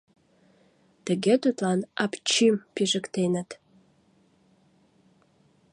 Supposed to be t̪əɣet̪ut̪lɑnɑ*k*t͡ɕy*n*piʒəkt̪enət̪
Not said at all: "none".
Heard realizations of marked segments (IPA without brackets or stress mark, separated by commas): p, m